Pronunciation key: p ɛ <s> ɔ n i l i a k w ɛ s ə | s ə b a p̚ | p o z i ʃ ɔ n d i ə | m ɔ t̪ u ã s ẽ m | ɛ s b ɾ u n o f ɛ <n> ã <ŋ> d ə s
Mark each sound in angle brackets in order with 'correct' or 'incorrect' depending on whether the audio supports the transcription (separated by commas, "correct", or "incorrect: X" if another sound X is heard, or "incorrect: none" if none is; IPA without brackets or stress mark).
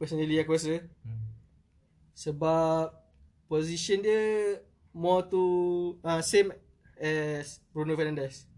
correct, correct, incorrect: n